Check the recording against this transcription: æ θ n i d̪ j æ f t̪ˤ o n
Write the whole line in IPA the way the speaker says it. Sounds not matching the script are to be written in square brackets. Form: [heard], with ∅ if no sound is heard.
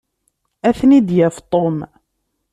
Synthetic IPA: æ θ n i d̪ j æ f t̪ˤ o [m]